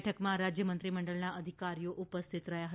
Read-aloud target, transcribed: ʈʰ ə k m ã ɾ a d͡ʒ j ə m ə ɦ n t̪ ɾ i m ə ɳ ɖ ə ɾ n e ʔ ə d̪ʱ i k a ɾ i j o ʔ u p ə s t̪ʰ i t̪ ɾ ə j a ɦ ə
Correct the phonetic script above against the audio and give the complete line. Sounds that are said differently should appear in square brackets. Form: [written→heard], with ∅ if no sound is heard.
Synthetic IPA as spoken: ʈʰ ə k m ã ɾ a d͡ʒ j ə m ə [ɦ→∅] n t̪ ɾ i m ə ɳ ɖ ə [ɾ→ɭ] n [e→a] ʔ ə d̪ʱ i k a ɾ i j o ʔ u p ə s t̪ʰ i t̪ ɾ ə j a ɦ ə